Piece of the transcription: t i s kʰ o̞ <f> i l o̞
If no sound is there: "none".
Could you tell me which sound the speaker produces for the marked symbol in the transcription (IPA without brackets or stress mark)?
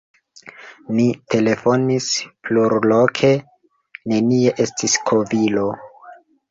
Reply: v